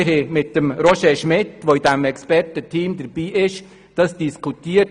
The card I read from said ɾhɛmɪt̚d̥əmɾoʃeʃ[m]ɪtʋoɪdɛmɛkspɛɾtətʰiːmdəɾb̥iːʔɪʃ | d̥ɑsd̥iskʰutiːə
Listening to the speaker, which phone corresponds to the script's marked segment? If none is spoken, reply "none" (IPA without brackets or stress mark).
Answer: m